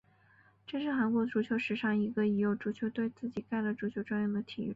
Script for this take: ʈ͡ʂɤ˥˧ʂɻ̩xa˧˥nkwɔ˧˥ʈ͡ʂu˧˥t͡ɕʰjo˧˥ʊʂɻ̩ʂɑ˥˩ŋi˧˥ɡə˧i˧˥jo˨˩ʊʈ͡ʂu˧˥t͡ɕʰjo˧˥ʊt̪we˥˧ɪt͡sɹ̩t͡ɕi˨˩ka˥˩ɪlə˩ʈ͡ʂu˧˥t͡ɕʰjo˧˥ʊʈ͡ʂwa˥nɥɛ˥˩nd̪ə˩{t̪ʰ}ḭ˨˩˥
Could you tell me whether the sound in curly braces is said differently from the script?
no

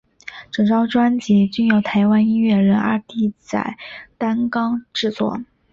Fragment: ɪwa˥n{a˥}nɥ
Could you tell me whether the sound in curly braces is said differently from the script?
yes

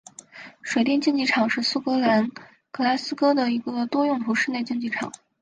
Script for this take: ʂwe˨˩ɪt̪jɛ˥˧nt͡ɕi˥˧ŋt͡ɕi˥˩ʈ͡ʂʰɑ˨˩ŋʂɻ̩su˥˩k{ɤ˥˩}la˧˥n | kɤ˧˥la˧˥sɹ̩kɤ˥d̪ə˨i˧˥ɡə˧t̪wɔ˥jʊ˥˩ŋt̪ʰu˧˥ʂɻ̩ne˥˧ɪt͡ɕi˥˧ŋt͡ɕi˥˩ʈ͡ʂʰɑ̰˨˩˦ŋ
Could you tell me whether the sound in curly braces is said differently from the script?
yes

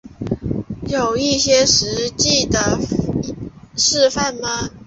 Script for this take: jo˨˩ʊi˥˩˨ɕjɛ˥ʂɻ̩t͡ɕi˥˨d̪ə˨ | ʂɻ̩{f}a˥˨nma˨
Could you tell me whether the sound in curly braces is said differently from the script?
no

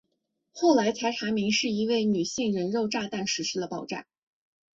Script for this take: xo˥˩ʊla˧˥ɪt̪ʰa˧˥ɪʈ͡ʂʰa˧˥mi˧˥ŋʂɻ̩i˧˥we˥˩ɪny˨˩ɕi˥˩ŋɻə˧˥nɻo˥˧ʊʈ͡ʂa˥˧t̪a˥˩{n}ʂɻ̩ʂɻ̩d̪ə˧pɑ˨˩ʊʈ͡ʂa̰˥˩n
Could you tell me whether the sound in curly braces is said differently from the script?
no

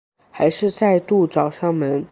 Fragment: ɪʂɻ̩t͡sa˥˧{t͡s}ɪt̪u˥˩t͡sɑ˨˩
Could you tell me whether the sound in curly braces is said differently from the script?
yes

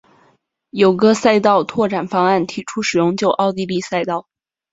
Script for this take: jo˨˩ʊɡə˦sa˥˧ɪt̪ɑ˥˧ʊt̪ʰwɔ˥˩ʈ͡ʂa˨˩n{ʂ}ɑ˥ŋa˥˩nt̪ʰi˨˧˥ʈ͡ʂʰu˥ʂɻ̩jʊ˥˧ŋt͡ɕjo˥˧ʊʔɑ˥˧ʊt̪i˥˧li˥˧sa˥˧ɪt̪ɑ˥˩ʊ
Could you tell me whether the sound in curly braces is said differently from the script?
yes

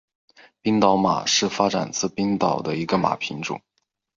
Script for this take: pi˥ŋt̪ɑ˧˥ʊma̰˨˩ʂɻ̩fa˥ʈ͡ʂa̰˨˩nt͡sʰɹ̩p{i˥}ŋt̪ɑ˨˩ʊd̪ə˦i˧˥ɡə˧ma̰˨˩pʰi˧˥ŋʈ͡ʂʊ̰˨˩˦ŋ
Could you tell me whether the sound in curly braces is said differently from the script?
no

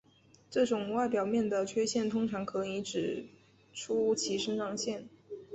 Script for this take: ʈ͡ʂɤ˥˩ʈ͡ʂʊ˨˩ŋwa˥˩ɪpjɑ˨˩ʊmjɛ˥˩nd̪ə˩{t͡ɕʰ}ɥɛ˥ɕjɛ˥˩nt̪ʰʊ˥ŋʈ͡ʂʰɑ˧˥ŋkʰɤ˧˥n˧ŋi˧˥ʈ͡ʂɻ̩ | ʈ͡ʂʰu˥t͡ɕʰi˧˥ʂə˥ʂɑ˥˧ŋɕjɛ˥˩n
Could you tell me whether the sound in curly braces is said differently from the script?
no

